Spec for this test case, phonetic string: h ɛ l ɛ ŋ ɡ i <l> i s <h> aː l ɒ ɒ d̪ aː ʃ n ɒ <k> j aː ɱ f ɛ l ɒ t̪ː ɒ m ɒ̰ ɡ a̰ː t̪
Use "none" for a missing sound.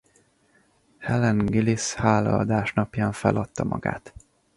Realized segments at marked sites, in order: l, h, p

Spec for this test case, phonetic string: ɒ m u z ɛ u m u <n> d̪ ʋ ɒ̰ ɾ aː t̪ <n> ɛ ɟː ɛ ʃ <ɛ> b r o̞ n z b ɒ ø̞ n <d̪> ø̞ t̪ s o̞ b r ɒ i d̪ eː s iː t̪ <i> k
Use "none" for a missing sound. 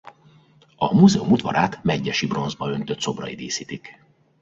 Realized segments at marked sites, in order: none, m, i, t̪, i

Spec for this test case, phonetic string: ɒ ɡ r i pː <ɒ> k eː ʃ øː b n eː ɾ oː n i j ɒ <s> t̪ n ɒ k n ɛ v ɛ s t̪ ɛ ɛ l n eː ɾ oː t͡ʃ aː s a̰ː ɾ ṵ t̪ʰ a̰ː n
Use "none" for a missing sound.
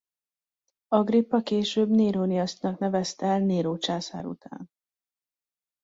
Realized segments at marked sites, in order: ɒ, s

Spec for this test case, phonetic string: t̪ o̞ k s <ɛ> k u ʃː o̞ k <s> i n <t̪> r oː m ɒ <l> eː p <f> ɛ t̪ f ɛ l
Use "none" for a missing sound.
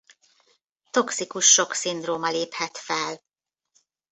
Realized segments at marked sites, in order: i, s, d̪, l, h

